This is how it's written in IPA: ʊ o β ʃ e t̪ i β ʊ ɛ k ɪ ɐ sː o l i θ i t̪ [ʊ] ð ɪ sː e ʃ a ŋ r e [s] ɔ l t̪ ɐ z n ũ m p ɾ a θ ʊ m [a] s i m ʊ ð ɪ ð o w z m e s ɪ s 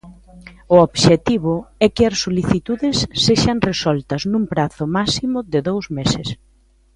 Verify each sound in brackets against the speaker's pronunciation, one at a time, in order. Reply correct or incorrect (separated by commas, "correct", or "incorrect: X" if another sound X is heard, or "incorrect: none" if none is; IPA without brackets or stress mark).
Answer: incorrect: u, correct, correct